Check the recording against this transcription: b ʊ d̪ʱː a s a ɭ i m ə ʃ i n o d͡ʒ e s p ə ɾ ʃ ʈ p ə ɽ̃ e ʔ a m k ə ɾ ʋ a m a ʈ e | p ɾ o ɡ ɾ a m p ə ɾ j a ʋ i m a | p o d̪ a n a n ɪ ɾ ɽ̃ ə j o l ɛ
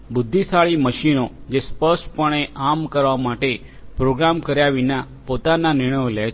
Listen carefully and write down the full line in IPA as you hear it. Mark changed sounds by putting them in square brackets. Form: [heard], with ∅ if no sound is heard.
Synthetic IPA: b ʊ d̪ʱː [i] s a ɭ i m ə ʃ i n o d͡ʒ e s p ə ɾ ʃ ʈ p ə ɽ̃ e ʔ a m k ə ɾ ʋ a m a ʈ e | p ɾ o ɡ ɾ a m [k] ə ɾ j a ʋ i [n] a | p o [t̪] a n a n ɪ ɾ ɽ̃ ə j o l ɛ